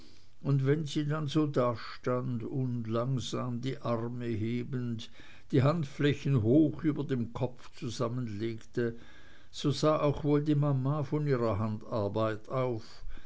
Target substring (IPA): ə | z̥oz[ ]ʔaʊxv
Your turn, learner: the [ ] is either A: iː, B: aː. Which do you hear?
B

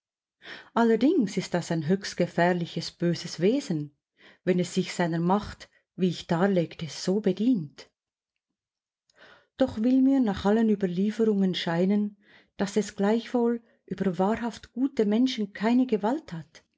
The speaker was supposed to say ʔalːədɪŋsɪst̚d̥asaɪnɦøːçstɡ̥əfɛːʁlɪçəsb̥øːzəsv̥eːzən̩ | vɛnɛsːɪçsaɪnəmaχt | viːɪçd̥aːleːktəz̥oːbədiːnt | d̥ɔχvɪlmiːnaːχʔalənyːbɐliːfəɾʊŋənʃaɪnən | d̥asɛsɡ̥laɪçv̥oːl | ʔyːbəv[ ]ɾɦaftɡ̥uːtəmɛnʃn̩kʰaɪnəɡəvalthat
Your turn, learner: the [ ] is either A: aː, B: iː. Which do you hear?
A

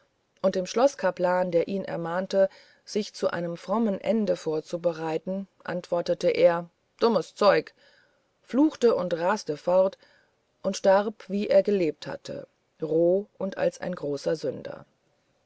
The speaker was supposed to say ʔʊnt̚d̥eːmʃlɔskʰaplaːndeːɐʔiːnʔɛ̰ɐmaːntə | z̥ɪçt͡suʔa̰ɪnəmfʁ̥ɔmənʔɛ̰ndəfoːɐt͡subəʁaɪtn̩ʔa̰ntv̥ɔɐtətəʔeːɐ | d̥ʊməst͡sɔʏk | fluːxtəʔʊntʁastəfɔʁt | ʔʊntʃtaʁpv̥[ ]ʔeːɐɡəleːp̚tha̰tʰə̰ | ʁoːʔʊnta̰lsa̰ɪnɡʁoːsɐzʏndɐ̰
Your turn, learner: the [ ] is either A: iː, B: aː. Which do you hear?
A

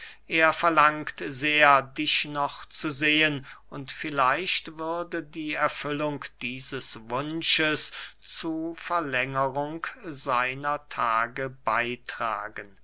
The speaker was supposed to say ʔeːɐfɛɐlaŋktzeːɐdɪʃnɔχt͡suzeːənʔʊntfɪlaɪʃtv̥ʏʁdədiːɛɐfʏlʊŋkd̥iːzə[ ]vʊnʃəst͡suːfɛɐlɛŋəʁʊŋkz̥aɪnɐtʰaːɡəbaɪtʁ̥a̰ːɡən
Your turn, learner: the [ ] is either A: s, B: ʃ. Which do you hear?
A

